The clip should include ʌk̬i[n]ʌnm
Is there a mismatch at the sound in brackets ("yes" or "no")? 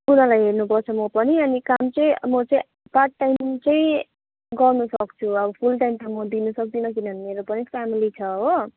no